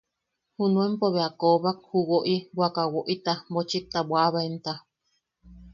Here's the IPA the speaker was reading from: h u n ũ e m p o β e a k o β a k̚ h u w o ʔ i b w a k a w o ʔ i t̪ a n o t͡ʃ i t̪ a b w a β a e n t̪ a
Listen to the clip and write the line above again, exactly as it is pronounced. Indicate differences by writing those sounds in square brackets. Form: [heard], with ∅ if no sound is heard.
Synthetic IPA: h u n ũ e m p o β e a k o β a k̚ h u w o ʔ i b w a k a w o ʔ i t̪ a [m] o t͡ʃ i t̪ a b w a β a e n t̪ a